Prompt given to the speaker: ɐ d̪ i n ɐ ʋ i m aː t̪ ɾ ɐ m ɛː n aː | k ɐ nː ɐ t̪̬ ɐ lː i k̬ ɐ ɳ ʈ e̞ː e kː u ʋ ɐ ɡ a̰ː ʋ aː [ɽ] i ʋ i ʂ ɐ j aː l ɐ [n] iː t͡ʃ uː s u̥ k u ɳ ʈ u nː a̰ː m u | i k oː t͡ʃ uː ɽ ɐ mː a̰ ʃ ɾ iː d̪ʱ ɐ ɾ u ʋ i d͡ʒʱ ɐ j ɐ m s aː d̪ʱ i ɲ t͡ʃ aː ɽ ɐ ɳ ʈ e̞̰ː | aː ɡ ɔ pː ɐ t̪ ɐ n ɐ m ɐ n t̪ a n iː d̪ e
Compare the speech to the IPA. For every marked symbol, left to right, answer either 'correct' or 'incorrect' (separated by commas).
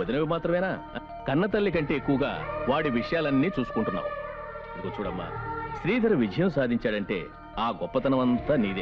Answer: correct, incorrect